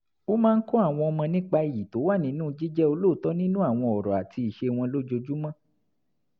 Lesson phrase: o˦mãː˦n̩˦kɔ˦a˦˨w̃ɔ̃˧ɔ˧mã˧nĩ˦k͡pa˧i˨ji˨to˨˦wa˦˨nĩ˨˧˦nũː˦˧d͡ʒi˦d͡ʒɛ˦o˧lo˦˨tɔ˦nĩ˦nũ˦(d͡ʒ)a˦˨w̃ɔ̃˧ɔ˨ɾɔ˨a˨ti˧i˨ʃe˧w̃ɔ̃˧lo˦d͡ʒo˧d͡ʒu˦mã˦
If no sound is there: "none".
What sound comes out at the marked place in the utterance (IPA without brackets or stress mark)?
none